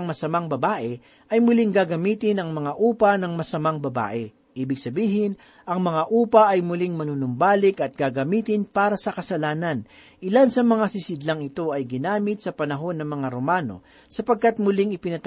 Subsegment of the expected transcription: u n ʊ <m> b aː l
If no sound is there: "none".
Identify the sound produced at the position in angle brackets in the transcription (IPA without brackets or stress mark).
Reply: m